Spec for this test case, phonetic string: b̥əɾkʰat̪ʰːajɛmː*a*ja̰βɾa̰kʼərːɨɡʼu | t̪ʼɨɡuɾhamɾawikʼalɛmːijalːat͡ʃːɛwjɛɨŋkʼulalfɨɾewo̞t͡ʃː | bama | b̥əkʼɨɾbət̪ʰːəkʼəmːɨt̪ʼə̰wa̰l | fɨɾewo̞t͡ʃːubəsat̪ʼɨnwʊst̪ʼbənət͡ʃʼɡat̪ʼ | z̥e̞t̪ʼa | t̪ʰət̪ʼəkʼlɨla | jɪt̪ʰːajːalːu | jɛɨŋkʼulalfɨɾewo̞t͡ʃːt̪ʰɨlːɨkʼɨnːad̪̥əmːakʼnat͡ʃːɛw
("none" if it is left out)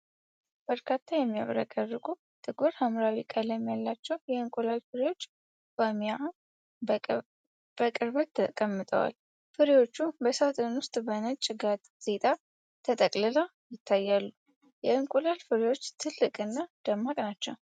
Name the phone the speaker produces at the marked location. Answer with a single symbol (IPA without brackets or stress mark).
i